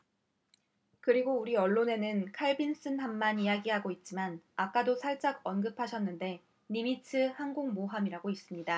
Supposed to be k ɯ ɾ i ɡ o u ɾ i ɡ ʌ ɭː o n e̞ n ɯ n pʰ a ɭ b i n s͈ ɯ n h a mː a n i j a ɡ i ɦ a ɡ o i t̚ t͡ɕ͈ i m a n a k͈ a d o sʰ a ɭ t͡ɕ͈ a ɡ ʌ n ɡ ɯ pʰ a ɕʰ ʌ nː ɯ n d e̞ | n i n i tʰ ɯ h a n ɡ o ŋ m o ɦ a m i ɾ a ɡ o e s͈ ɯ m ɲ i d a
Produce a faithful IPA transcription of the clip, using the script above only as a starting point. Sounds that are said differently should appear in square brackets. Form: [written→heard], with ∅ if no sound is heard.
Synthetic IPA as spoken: k ɯ ɾ i ɡ o u ɾ i [ɡ→∅] ʌ ɭː o n e̞ n ɯ n [pʰ→kʰ] a ɭ b i n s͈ ɯ n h a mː a n i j a ɡ i ɦ a ɡ o i t̚ t͡ɕ͈ i m a n a k͈ a d o sʰ a ɭ t͡ɕ͈ a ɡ ʌ n ɡ ɯ pʰ a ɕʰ ʌ nː ɯ n d e̞ | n i [n→m] i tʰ ɯ h a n ɡ o ŋ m o ɦ a m i ɾ a ɡ o [e→i] s͈ ɯ m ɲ i d a